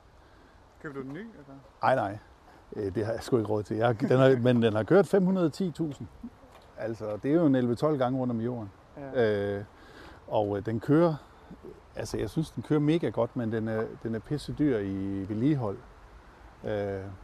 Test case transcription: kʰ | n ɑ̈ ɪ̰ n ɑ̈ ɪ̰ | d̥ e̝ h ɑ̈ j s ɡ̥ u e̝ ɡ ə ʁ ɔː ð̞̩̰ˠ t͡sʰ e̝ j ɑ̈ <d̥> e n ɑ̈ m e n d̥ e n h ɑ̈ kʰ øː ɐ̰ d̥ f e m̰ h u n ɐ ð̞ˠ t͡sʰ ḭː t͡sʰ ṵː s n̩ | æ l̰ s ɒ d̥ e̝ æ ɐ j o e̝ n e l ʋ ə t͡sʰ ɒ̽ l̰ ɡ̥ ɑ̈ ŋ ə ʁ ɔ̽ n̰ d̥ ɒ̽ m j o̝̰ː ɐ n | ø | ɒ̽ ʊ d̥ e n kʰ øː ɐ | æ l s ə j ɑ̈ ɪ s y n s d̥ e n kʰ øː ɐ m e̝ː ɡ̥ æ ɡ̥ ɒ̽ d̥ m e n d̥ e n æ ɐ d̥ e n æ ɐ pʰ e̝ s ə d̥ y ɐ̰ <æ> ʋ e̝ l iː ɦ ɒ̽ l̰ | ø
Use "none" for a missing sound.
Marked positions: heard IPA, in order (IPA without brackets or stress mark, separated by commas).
d̥, i